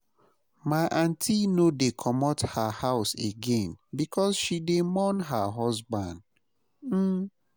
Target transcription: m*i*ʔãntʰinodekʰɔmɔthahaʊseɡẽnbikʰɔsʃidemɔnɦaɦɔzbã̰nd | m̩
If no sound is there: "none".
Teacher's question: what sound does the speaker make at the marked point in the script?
a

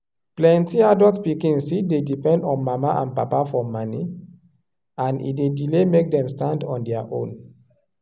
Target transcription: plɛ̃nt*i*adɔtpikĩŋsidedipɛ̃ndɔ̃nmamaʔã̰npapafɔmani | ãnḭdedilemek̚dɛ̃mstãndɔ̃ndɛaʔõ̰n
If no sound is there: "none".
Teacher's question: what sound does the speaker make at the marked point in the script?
i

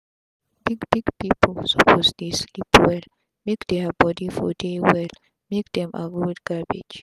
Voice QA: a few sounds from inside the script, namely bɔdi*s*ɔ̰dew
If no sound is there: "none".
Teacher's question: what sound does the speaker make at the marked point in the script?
f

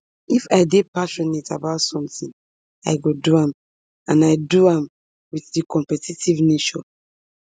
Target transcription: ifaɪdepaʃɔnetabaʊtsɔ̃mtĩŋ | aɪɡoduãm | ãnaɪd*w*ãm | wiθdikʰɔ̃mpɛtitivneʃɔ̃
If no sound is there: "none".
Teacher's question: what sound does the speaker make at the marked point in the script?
u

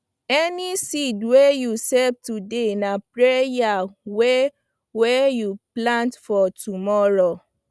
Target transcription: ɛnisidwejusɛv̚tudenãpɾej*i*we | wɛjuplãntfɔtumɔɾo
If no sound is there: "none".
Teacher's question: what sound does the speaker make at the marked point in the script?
a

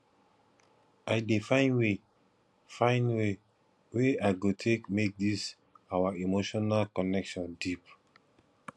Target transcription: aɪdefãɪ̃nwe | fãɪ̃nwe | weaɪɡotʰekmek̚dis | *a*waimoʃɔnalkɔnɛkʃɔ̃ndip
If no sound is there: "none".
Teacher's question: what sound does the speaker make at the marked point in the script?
a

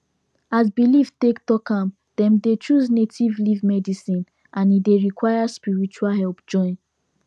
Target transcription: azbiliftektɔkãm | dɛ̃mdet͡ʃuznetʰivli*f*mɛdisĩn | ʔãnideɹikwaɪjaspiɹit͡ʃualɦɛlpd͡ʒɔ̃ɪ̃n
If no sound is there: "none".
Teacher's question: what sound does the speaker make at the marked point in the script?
v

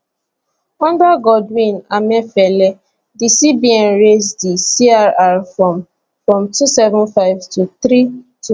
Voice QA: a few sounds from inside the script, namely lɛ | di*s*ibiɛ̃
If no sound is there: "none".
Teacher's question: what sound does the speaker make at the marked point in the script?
s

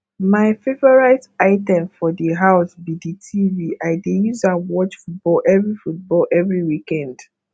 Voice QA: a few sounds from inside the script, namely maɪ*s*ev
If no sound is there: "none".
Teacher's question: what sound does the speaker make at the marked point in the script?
f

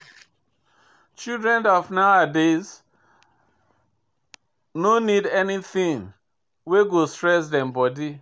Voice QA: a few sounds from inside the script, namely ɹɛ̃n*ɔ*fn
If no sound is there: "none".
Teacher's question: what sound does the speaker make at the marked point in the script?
ɔ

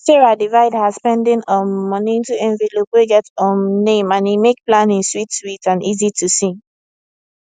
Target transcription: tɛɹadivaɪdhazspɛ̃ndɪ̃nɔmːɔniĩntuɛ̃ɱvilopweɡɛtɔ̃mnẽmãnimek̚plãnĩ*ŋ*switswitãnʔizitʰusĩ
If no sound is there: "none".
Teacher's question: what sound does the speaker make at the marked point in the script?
n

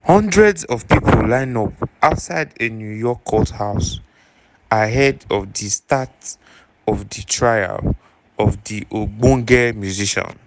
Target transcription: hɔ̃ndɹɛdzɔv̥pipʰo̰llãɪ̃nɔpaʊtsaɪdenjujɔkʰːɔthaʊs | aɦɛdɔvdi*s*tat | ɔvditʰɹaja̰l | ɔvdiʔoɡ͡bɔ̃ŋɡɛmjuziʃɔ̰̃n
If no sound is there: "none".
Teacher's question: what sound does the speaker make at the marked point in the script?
s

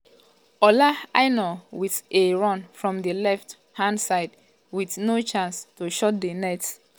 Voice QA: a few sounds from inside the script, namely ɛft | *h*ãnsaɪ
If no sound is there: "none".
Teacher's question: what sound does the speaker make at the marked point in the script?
h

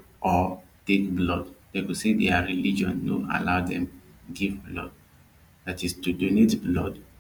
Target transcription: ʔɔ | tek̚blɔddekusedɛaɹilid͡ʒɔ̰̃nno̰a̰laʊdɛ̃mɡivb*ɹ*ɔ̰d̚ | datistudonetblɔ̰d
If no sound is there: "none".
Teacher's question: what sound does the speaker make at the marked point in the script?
l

